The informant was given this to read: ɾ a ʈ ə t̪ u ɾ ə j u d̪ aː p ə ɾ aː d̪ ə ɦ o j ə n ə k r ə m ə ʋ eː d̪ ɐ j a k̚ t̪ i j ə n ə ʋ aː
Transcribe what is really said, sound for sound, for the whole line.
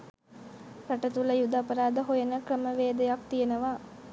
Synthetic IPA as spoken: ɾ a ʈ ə t̪ u l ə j u d̪ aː p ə ɾ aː d̪ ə ɦ o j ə n ə k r ə m ə ʋ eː d̪ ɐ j a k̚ t̪ i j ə n ə ʋ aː